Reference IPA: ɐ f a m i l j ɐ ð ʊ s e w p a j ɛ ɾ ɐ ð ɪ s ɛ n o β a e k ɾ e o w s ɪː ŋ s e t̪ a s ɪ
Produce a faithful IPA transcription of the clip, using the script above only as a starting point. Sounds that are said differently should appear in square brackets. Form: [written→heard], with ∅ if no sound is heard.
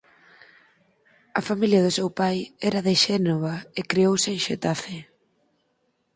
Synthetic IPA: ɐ f a m i l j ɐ ð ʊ s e w p a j ɛ ɾ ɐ ð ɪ [s→ʃ] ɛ n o β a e k ɾ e o w s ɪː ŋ [s→ʃ] e t̪ a [s→f] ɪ